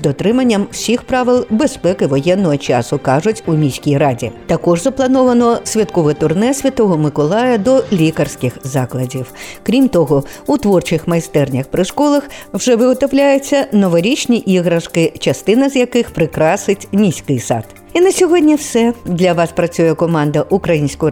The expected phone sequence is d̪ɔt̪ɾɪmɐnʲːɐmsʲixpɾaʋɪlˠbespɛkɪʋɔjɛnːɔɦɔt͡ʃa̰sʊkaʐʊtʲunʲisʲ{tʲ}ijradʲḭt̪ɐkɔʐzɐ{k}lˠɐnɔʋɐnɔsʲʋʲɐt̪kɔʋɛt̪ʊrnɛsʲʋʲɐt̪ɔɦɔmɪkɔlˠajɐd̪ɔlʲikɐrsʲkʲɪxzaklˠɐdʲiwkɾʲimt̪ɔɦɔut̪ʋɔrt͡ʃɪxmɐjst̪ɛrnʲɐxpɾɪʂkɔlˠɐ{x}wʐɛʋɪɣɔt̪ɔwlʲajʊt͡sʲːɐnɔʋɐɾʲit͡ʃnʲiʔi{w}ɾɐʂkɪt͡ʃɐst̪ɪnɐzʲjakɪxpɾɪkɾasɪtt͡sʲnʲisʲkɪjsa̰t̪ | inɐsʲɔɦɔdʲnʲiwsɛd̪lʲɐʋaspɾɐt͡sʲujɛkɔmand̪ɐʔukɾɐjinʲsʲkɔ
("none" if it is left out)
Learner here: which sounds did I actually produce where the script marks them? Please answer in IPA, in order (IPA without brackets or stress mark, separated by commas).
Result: kʲ, p, x, ɣ